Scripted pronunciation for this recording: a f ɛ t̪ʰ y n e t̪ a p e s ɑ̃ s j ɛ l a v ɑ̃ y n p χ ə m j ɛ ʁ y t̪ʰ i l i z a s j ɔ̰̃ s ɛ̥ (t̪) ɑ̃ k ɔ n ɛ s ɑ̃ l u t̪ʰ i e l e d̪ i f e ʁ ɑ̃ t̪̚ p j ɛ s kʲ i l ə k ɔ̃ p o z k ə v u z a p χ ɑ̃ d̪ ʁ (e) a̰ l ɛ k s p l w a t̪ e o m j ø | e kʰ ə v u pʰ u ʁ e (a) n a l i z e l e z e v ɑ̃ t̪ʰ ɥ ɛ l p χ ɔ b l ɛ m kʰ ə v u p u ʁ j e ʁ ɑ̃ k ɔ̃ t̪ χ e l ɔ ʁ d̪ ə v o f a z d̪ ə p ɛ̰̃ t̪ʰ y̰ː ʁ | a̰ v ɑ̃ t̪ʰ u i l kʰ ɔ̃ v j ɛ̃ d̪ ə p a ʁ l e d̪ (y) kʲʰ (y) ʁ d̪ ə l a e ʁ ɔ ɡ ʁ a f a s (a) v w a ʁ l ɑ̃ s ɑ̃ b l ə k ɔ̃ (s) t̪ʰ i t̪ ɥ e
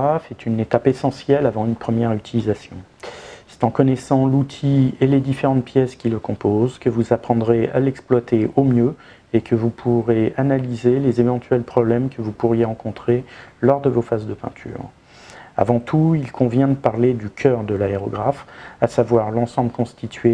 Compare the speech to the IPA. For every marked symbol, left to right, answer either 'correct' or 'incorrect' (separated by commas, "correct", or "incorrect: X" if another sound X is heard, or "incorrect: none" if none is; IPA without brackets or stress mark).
correct, correct, correct, correct, incorrect: œ, correct, correct